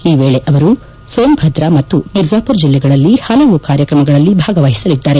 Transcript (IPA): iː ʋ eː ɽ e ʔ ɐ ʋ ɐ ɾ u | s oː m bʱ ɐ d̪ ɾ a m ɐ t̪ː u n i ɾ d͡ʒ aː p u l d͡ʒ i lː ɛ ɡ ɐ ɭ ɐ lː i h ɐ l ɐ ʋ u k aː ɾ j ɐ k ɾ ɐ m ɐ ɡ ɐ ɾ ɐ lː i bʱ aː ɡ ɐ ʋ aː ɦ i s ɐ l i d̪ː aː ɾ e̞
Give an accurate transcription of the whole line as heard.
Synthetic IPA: iː ʋ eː ɭ e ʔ ɐ ʋ ɐ ɾ u | s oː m bʱ ɐ d̪ ɾ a m ɐ t̪ː u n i ɾ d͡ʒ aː p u ɾ d͡ʒ i lː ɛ ɡ ɐ ɭ ɐ lː i h ɐ l ɐ ʋ u k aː ɾ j ɐ k ɾ ɐ m ɐ ɡ ɐ ɭ ɐ lː i bʱ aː ɡ ɐ ʋ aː ɦ i s ɐ l i d̪ː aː ɾ e̞